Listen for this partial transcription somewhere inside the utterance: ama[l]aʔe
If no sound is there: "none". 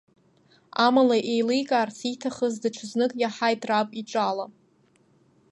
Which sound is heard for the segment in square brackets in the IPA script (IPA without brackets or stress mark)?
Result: l